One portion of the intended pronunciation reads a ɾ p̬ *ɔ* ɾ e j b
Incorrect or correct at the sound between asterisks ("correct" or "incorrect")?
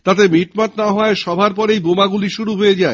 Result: correct